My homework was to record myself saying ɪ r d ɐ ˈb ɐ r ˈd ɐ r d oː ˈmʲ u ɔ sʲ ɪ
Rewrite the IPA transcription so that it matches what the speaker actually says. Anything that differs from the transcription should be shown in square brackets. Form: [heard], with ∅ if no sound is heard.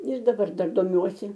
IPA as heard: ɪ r d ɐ ˈb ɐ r ˈd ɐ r d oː ˈmʲ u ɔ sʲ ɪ